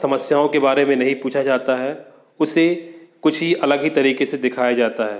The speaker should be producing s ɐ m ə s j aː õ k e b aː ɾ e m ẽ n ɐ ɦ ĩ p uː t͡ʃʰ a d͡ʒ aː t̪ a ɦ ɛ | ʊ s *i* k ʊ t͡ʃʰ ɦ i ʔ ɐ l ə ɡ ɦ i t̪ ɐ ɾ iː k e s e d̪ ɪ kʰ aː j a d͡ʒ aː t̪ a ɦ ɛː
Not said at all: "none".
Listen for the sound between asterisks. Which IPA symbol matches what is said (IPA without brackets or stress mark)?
e